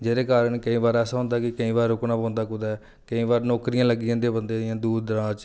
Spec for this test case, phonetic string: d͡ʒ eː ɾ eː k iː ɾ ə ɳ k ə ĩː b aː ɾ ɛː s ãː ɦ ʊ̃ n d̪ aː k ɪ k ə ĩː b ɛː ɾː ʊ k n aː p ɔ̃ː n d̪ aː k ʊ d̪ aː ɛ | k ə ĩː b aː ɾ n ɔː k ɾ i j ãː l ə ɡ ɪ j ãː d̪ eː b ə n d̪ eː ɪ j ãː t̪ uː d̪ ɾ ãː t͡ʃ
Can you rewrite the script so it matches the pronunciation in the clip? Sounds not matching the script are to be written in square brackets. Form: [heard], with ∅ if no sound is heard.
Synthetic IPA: d͡ʒ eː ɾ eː k [aː] ɾ ə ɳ k ə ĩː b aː ɾ ɛː s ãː ɦ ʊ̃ n d̪ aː k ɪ k ə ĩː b [aː] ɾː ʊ k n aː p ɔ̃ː n d̪ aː k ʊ d̪ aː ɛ | k ə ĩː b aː ɾ n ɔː k ɾ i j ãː l ə ɡ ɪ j ãː d̪ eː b ə n d̪ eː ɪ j ãː [d̪] uː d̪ ɾ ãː t͡ʃ